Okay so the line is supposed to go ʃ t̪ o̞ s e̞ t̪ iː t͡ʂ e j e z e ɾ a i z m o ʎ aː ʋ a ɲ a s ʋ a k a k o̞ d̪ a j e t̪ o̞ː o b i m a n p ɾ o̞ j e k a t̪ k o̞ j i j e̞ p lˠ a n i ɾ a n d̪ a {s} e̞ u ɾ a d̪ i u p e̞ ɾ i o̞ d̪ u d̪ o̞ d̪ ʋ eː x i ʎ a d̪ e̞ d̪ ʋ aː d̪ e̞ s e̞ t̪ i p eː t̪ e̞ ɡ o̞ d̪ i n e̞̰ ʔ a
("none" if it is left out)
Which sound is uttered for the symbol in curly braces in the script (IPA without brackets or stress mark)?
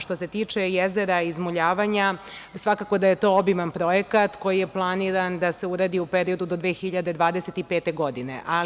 s